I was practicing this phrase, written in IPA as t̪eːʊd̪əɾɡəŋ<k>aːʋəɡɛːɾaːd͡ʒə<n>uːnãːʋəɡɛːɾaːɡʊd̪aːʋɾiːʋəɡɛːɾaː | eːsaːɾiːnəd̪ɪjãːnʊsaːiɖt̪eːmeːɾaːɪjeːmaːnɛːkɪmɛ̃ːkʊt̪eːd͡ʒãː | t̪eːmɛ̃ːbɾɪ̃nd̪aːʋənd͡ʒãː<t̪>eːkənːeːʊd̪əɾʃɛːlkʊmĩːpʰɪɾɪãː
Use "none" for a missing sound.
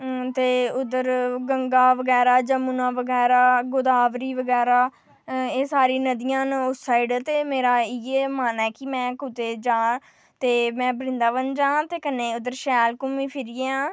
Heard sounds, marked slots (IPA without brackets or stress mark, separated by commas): ɡ, m, t̪